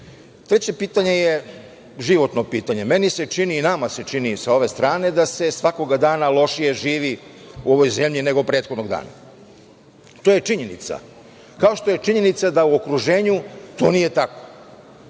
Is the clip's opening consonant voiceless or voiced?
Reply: voiceless